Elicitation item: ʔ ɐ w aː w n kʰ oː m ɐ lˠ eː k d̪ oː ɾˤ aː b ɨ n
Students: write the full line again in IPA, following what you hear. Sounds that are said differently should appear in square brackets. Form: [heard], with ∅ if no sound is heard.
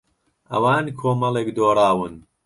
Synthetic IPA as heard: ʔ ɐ w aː [∅] n kʰ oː m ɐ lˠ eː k d̪ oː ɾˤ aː [w] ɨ n

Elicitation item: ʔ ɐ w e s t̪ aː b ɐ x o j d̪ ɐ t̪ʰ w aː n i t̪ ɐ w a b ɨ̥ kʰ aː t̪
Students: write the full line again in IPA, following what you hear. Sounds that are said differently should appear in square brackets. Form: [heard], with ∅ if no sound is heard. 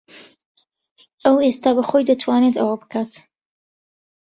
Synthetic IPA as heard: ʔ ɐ w e s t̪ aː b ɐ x o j d̪ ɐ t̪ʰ w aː n [e] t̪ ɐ w a b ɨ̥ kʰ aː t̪

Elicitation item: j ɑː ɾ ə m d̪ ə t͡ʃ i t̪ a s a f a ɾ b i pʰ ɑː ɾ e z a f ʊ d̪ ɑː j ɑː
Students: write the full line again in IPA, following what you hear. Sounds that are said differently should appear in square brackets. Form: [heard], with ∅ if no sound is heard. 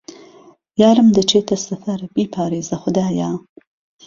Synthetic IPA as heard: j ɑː ɾ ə m d̪ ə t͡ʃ [e] t̪ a s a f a ɾ b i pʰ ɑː ɾ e z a [x] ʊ d̪ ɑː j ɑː

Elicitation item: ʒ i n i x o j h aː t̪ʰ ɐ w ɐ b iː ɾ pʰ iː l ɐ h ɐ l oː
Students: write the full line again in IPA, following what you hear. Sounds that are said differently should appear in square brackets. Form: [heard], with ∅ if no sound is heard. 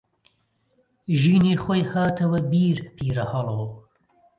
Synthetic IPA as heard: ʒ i n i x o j h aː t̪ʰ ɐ w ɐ b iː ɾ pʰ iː [ɾ] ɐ h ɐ l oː

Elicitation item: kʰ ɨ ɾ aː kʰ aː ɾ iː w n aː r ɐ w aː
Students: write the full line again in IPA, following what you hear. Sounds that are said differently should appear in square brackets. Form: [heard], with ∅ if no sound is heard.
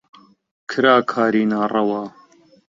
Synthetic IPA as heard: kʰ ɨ ɾ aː kʰ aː ɾ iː [∅] n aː r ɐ w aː

